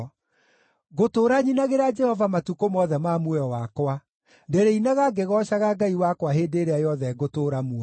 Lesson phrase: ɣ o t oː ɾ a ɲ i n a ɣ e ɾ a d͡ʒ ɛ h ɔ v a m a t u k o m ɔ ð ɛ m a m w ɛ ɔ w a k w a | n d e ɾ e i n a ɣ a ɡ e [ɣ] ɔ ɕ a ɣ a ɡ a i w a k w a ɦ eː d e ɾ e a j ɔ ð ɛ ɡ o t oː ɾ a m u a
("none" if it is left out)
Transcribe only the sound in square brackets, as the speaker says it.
ɣ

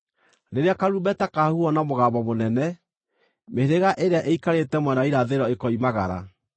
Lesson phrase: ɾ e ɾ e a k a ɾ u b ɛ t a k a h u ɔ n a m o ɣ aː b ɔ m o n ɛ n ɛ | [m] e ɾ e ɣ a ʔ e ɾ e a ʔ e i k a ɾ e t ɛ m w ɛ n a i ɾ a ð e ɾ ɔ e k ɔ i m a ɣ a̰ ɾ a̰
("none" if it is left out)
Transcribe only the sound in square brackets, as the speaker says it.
m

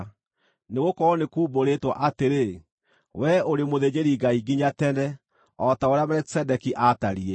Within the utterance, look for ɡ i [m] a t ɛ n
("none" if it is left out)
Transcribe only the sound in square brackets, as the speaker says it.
ɲ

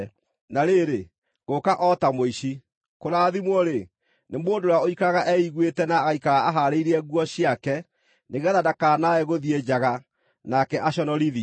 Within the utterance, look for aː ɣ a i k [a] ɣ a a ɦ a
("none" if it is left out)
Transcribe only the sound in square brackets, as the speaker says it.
a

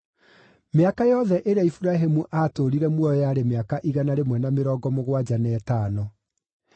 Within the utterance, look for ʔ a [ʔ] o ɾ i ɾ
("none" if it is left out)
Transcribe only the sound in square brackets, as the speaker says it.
t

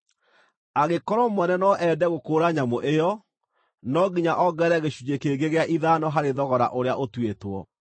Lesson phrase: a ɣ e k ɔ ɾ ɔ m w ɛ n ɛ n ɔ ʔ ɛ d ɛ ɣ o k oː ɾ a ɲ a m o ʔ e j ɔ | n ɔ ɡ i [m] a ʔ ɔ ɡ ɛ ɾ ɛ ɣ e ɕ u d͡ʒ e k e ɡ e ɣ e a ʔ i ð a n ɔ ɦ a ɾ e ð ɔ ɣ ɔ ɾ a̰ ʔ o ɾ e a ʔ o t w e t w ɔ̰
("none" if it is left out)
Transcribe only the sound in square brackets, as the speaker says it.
ɲ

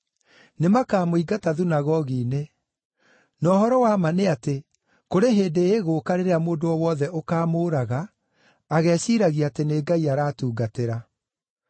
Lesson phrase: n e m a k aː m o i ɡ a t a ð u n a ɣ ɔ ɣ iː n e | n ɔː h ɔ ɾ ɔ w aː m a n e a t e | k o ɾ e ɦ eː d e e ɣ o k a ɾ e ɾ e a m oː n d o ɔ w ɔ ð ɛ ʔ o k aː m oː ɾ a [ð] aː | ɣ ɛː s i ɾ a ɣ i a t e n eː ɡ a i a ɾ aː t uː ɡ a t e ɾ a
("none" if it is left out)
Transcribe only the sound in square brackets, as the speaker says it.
ɣ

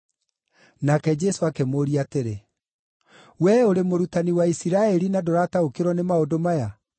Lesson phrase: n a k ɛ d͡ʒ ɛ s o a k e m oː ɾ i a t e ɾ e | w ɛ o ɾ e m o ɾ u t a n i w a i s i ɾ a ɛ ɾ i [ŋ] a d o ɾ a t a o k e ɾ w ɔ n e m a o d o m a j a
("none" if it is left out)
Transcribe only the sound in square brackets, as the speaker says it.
n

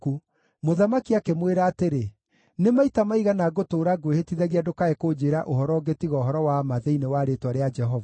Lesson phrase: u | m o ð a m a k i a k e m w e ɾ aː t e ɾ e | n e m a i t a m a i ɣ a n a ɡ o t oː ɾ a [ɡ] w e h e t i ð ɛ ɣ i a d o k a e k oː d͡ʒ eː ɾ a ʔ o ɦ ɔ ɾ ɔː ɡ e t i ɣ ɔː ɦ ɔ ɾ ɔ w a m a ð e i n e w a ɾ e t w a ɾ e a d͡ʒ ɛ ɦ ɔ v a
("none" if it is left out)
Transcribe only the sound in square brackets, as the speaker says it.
ɡ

